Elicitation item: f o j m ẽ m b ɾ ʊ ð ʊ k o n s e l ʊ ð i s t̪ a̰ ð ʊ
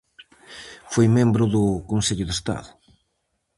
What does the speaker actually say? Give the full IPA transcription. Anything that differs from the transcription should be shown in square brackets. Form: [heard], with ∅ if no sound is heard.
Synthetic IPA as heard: f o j m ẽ m b ɾ ʊ ð ʊ k o n s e [ʎ] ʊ ð [e] s t̪ a̰ ð ʊ